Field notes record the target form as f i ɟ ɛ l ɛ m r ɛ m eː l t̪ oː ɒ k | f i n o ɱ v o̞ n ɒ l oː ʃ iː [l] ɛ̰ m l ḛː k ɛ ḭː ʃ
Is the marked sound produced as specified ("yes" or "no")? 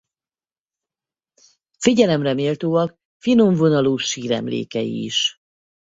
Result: no